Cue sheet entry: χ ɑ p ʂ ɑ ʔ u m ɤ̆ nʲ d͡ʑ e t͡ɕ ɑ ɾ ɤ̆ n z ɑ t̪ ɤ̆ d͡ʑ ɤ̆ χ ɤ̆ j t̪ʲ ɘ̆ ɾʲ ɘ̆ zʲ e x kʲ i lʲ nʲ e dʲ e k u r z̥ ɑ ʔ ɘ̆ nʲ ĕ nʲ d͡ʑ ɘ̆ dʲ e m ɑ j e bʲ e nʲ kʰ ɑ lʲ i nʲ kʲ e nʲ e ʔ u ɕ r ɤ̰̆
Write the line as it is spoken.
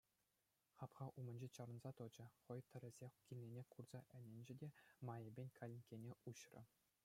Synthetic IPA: χ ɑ p χ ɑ ʔ u m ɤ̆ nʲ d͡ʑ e t͡ɕ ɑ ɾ ɤ̆ n z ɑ t̪ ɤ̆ d͡ʑ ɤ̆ χ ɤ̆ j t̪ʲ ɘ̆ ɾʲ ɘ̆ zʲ e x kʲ i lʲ nʲ e nʲ e k u r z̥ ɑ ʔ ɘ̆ nʲ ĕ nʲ d͡ʑ ɘ̆ dʲ e m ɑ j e bʲ e nʲ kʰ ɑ lʲ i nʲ kʲ e nʲ e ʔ u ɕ r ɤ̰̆